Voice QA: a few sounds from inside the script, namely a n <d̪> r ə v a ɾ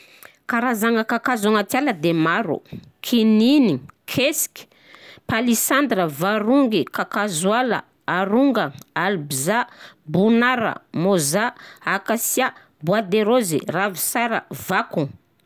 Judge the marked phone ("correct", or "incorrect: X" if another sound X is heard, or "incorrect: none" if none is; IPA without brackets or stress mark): correct